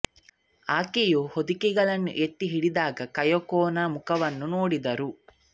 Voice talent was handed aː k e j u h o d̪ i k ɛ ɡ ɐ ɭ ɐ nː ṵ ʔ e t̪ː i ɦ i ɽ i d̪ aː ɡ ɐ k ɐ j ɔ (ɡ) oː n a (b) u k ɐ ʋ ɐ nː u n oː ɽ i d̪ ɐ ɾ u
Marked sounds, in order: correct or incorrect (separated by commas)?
incorrect, incorrect